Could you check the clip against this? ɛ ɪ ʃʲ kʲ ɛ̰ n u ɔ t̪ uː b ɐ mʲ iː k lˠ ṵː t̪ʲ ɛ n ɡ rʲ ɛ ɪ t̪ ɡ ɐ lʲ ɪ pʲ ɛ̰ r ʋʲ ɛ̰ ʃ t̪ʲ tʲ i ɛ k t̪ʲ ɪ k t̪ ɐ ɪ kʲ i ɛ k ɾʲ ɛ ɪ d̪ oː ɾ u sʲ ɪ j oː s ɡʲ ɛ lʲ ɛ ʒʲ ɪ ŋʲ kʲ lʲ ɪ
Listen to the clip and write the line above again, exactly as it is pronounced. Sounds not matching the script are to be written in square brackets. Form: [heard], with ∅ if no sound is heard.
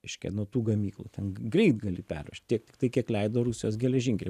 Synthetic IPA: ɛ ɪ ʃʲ kʲ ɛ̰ n u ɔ t̪ uː [ɡ] ɐ mʲ iː k lˠ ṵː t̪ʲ ɛ n ɡ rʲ ɛ ɪ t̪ ɡ ɐ lʲ ɪ pʲ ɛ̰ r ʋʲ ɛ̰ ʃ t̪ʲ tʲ i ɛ k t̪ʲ ɪ k t̪ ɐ ɪ kʲ i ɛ k [lʲ] ɛ ɪ d̪ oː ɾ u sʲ ɪ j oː s ɡʲ ɛ lʲ ɛ ʒʲ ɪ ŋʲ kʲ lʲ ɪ